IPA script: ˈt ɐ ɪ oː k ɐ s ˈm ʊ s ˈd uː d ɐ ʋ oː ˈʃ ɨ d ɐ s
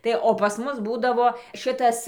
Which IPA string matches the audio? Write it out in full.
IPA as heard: ˈt ɐ ɪ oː p ɐ s ˈm ʊ s ˈb uː d ɐ ʋ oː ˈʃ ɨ t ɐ s